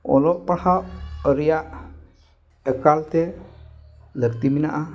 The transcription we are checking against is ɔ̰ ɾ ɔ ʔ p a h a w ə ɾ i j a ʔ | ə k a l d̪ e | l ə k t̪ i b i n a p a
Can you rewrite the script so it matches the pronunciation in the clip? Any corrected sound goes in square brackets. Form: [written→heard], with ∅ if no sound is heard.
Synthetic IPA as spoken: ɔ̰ [ɾ→l] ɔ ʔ p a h a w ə ɾ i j a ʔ | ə k a l [d̪→t̪] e | l ə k t̪ i [b→m] i n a [p→ʔ] a